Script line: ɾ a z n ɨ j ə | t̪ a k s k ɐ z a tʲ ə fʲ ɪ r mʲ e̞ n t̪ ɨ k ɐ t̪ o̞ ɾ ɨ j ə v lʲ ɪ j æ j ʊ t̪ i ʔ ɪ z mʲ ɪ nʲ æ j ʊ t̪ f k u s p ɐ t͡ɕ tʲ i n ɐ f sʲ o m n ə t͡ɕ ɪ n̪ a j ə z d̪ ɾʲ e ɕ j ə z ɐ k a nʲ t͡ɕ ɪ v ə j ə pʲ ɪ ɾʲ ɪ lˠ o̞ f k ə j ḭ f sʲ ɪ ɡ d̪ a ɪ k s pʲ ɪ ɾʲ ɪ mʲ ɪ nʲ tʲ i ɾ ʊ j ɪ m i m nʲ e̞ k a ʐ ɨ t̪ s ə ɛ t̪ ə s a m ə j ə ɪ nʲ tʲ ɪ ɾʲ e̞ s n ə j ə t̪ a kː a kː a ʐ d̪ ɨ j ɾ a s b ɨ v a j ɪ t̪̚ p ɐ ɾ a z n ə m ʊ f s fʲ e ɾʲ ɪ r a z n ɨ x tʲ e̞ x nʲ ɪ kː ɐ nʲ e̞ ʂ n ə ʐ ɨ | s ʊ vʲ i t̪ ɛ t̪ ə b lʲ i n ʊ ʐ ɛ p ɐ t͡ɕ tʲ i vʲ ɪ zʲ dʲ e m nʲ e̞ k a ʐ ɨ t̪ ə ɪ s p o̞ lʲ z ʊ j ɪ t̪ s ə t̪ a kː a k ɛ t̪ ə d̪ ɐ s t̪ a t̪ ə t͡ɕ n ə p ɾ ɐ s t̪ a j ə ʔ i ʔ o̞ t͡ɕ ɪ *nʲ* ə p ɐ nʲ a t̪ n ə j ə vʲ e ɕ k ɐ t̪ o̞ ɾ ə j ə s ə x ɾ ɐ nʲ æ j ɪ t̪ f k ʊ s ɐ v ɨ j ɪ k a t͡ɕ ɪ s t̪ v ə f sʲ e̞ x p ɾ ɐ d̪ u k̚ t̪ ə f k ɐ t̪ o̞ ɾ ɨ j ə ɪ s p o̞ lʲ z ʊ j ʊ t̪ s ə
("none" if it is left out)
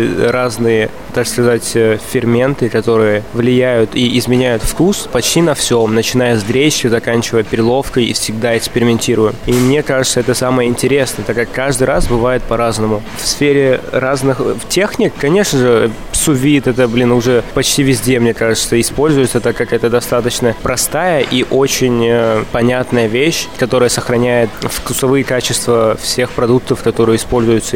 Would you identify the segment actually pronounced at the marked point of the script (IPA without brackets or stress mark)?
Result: nʲ